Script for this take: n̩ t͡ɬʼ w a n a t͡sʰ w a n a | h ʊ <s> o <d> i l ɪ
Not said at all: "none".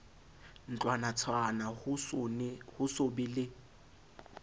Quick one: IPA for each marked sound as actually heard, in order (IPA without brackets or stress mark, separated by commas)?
s, b